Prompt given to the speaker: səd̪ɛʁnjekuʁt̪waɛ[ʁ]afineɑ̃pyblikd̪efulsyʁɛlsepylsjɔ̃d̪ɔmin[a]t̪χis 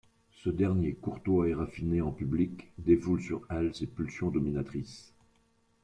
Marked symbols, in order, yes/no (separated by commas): yes, yes